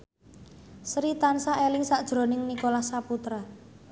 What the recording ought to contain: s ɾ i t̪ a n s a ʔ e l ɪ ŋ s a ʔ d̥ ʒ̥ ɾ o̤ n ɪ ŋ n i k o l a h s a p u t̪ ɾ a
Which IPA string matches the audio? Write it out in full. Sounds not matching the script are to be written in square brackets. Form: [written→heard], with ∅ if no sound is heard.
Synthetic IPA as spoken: s ɾ i t̪ a n s a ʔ e l ɪ ŋ s a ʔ d̥ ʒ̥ ɾ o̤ n ɪ ŋ n i k o l a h s a p u t̪ ɾ a